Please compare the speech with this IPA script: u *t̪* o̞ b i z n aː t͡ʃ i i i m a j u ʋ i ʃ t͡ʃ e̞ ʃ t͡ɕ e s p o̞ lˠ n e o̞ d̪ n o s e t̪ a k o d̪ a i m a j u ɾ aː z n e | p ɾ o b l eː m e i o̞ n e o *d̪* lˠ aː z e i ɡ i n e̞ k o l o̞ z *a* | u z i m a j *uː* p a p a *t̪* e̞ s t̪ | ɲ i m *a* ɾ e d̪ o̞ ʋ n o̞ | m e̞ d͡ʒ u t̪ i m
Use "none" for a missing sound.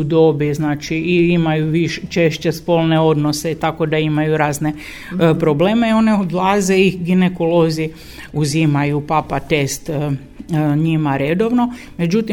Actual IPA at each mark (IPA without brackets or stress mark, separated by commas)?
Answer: d̪, d̪, i, u, t̪, a